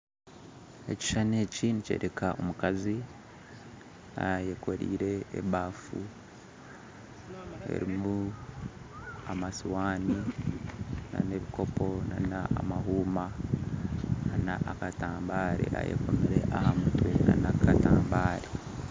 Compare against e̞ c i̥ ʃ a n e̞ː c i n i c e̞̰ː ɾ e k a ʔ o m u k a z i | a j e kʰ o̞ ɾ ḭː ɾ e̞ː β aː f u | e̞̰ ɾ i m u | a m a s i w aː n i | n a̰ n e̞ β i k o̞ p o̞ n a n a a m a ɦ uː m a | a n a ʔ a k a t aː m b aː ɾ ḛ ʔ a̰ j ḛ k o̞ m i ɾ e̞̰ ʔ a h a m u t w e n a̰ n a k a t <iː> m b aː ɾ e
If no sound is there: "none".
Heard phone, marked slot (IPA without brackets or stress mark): aː